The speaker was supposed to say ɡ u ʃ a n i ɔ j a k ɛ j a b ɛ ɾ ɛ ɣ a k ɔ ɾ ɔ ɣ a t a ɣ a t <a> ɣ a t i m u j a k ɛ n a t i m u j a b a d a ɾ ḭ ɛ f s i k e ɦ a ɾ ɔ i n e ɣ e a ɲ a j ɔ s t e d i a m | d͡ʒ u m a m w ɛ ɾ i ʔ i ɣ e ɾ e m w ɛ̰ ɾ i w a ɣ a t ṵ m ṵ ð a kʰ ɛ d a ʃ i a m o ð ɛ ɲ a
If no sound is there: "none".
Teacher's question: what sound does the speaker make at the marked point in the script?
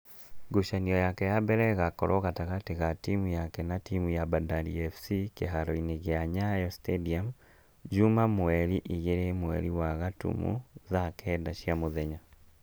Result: e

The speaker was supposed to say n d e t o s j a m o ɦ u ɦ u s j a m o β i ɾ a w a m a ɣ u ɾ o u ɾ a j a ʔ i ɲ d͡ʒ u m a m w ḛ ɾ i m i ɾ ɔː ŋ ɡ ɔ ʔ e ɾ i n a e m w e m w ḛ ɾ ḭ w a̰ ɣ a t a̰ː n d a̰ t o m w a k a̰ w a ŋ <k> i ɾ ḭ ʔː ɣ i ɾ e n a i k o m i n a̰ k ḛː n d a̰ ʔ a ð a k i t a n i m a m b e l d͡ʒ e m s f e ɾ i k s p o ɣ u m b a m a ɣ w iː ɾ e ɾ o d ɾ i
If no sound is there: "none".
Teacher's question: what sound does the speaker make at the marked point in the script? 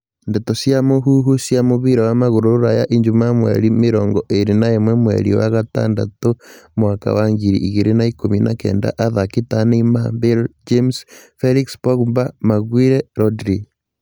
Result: ɡ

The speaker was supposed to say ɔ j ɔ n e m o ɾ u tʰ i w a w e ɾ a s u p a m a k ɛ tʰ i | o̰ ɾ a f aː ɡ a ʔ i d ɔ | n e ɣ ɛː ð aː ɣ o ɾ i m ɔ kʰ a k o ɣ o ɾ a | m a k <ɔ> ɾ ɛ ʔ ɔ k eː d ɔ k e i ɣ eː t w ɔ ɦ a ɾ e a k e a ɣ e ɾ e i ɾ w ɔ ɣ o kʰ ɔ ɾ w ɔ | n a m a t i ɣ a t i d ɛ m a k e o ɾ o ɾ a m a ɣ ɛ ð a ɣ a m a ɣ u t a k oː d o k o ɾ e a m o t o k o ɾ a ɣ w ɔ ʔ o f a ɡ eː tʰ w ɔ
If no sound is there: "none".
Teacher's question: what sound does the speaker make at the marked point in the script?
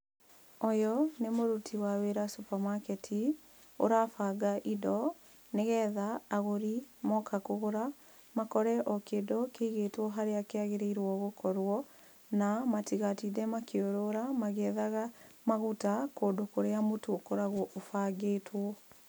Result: ɔ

